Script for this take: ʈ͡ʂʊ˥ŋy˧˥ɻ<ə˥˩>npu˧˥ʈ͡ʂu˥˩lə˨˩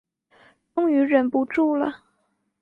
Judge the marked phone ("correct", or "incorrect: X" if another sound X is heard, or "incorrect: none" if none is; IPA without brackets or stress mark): incorrect: ə˨˩